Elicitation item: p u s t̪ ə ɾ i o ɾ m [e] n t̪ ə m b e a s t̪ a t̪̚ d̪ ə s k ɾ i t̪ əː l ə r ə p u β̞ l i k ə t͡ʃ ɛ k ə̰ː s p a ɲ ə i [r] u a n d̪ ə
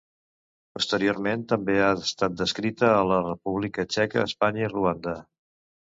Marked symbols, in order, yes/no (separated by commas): yes, yes